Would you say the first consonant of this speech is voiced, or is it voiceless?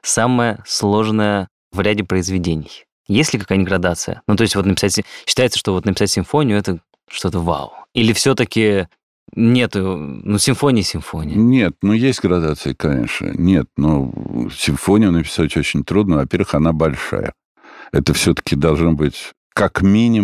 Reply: voiceless